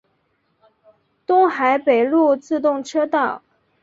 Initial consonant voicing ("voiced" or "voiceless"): voiceless